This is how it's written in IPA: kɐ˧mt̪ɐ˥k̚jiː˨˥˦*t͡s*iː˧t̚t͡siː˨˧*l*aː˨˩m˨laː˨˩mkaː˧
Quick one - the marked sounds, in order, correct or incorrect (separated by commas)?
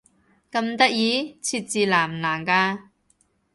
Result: incorrect, correct